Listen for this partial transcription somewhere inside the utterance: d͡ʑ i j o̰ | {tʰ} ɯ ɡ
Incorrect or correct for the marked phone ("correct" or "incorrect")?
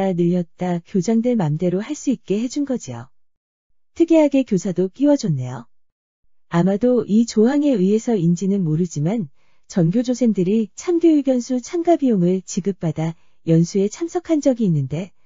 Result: correct